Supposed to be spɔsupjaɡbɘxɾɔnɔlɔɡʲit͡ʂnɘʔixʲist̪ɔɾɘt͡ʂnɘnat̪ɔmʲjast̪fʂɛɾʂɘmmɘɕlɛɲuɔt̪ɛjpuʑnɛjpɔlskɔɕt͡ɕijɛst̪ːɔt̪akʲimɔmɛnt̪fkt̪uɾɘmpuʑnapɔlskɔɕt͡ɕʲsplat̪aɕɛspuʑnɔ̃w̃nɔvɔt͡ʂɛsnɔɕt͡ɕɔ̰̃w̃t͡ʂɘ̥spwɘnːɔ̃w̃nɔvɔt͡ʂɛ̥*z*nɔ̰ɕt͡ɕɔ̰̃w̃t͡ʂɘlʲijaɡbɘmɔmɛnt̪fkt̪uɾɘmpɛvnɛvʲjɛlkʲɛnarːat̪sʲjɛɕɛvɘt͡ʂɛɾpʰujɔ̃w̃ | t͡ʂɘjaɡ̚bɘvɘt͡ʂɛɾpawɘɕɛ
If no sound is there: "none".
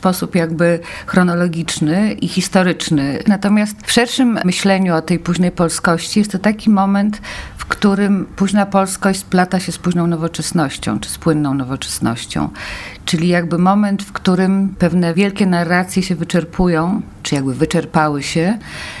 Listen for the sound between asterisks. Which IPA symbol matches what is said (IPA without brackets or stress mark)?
s